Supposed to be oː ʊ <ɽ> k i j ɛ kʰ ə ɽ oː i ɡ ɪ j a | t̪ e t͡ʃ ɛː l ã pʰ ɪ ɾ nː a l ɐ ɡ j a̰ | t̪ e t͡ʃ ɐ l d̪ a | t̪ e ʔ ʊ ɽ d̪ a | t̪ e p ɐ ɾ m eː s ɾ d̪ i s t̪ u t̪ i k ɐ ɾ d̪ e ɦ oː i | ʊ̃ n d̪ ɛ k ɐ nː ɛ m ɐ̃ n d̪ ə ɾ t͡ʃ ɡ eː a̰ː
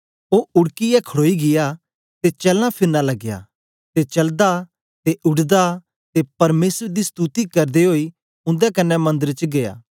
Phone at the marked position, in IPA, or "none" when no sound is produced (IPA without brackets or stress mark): ɽ